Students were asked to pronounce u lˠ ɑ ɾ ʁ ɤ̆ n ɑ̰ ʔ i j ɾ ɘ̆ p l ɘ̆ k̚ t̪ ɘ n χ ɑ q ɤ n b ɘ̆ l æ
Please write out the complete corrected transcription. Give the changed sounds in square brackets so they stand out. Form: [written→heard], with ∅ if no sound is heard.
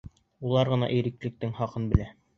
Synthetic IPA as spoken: u lˠ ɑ ɾ ʁ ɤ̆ n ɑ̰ ʔ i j ɾ ɘ̆ [p→k] l ɘ̆ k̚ t̪ ɘ [n→ŋ] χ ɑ q ɤ n b ɘ̆ l æ